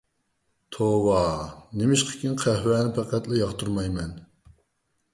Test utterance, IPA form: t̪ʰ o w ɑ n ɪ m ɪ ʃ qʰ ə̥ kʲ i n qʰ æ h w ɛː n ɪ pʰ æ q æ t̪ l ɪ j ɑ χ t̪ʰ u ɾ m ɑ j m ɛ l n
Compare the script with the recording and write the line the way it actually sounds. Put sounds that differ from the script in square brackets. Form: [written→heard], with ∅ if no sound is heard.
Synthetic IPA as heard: t̪ʰ o w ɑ n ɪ m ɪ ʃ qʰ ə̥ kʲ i n qʰ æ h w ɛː n ɪ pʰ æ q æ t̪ l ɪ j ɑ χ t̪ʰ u ɾ m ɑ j m ɛ [l→∅] n

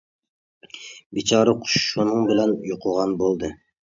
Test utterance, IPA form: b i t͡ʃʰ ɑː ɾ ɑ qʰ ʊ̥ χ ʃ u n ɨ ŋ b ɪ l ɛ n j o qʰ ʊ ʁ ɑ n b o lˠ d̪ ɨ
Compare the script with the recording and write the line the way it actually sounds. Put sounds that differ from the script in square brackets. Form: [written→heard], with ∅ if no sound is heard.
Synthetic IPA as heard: b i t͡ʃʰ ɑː ɾ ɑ qʰ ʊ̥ [χ→ʃ] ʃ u n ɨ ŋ b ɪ l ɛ n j o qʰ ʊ ʁ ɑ n b o lˠ d̪ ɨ

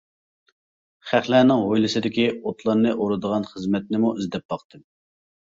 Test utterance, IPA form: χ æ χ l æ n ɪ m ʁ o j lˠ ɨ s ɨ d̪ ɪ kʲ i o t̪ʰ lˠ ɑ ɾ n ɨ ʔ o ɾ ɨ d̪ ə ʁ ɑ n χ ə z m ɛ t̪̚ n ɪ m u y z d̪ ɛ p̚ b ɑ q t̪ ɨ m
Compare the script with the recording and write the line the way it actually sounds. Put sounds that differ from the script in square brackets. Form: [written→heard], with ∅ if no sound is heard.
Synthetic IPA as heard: χ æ χ l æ n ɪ [m→ŋ] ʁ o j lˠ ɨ s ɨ d̪ ɪ kʲ i o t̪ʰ lˠ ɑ ɾ n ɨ ʔ o ɾ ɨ d̪ ə ʁ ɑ n χ ə z m ɛ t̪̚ n ɪ m u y z d̪ ɛ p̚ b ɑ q t̪ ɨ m

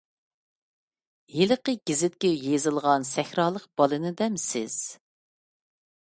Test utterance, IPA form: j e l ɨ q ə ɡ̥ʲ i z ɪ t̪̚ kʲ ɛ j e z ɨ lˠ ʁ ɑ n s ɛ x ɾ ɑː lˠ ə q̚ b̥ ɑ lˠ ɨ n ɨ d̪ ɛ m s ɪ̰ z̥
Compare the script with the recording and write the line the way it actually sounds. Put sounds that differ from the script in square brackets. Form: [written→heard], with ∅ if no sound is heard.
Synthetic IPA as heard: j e l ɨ q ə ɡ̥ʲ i z ɪ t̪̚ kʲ ɛ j e z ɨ lˠ ʁ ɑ n s ɛ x ɾ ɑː lˠ ə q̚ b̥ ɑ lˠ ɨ n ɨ d̪ ɛ m s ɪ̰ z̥

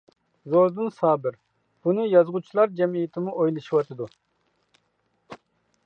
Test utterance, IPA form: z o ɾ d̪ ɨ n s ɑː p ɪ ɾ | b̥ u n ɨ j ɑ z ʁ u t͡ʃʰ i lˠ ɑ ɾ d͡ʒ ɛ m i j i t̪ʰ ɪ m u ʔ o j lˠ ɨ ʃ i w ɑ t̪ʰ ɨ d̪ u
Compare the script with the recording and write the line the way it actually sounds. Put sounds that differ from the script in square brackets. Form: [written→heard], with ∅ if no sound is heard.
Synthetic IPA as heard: z o ɾ d̪ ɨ n s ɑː [p→b] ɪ ɾ | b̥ u n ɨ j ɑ z ʁ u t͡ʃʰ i lˠ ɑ ɾ d͡ʒ ɛ m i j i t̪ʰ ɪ m u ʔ o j lˠ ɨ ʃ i w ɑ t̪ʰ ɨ d̪ u

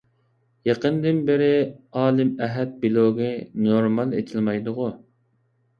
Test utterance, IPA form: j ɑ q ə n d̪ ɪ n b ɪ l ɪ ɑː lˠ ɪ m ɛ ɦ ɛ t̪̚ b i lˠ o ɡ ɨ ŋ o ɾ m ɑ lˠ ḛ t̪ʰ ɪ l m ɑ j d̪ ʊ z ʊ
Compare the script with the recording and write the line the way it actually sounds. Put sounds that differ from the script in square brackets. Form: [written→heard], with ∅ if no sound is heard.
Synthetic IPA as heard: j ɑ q ə n d̪ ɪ n b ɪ [l→ɾ] ɪ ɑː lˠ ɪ m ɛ ɦ ɛ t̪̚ b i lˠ o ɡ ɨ [ŋ→n] o ɾ m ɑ lˠ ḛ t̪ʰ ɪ l m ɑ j d̪ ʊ [z→ʁ] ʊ

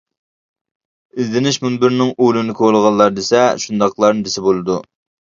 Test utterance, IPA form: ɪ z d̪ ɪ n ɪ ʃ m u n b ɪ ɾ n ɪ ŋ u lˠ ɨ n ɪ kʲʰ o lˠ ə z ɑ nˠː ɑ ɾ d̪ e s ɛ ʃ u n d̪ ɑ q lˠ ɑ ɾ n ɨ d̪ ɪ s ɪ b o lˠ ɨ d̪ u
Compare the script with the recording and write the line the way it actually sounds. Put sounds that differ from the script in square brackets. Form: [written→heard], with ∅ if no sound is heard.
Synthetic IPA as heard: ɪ z d̪ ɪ n ɪ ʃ m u n b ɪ ɾ n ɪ ŋ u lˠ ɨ n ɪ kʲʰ o lˠ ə [z→ʁ] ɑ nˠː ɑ ɾ d̪ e s ɛ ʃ u n d̪ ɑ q lˠ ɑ ɾ n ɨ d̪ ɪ s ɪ b o lˠ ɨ d̪ u

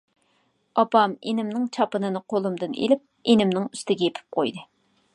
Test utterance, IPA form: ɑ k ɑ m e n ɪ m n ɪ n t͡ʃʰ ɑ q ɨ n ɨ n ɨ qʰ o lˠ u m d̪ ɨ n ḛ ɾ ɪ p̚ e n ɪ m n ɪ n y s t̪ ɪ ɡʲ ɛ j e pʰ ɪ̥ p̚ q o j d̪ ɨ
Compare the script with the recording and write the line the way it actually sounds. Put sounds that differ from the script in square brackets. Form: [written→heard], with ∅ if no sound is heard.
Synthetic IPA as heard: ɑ [k→p] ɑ m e n ɪ m n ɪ [n→ŋ] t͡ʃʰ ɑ [q→p] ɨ n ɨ n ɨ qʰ o lˠ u m d̪ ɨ n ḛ [ɾ→l] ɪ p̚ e n ɪ m n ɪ [n→ŋ] y s t̪ ɪ ɡʲ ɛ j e pʰ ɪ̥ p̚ q o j d̪ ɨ

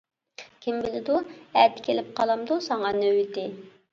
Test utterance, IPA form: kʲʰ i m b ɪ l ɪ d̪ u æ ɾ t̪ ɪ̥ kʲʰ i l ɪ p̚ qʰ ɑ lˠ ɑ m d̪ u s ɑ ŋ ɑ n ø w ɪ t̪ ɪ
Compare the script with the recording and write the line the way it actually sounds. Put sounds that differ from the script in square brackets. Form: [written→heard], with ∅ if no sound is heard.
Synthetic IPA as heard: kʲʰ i m b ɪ l ɪ d̪ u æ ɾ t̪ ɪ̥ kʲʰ [i→e] l ɪ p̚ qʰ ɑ lˠ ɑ m d̪ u s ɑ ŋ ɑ n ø w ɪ t̪ ɪ

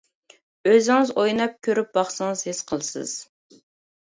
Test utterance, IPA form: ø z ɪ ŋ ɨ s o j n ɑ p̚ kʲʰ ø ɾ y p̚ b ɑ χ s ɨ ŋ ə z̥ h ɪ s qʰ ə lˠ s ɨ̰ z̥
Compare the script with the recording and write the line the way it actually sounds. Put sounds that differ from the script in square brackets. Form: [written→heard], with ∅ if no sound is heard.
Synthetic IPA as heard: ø z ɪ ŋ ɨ [s→z] o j n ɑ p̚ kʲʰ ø ɾ y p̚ b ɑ χ s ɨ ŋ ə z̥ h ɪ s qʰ ə lˠ s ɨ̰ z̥

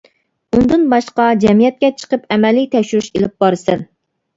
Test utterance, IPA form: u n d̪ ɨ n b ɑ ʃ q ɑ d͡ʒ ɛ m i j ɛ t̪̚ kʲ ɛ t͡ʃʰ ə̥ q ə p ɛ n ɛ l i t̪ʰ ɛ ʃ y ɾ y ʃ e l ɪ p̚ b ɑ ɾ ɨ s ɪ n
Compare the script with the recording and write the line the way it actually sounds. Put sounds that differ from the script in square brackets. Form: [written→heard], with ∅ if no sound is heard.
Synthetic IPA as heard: u n d̪ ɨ n b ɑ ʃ q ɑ d͡ʒ ɛ m i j ɛ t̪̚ kʲ ɛ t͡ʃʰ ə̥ q ə p ɛ [n→m] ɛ l i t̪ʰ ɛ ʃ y ɾ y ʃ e l ɪ p̚ b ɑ ɾ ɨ s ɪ n

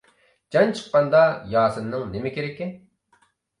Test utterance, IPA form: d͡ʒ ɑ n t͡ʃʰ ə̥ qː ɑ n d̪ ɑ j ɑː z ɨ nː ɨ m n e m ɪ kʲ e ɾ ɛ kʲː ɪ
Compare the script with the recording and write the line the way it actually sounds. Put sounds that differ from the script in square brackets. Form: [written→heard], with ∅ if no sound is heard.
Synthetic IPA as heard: d͡ʒ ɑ n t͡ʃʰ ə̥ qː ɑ n d̪ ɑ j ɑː [z→s] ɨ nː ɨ [m→ŋ] n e m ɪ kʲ e ɾ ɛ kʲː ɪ

